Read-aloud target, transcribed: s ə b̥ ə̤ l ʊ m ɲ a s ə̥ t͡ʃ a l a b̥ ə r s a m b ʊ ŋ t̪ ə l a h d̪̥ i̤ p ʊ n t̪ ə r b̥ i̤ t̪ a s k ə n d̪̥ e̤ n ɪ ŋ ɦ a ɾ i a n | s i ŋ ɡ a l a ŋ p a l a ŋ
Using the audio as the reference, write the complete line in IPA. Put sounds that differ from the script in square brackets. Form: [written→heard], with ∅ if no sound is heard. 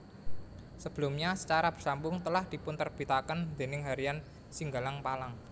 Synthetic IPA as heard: s ə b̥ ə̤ l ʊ m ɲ a s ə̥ t͡ʃ a [l→ɾ] a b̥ ə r s a m b ʊ ŋ t̪ ə l a h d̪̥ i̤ p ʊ n t̪ ə r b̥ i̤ t̪ a [s→∅] k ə n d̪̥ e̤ n ɪ ŋ ɦ a ɾ i a n | s i ŋ ɡ a l a ŋ p a l a ŋ